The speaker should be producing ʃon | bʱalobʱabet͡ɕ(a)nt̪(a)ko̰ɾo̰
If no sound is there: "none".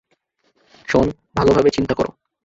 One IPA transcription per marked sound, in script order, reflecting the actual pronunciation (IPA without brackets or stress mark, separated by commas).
i, a